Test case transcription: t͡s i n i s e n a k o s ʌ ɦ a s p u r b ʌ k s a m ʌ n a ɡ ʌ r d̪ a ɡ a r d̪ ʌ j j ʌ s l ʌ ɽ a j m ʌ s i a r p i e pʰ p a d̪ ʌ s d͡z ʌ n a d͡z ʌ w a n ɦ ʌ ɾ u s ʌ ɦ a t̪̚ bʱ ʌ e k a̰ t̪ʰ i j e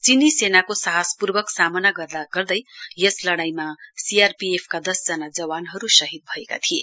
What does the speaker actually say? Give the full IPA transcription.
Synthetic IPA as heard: t͡s i n i s e n a k o s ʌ ɦ a s p u r b ʌ k s a m ʌ n a ɡ ʌ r d̪ a ɡ ʌ r d̪ ʌ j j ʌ s l ʌ ɽ a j m a s i a r p i e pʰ k a d̪ ʌ s d͡z ʌ n a d͡z ʌ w a n ɦ ʌ ɾ u s ʌ ɦ i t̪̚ bʱ ʌ e k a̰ t̪ʰ i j e